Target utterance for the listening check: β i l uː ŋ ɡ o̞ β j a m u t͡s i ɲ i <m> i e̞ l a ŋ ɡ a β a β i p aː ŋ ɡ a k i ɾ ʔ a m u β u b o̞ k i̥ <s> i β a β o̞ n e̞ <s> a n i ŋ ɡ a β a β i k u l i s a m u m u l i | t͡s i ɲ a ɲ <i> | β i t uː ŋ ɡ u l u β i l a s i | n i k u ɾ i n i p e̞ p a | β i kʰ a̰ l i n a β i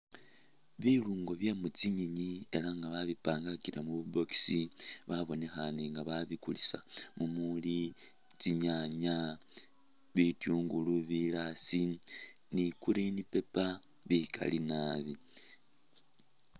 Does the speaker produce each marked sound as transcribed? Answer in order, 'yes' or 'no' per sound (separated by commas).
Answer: no, yes, no, no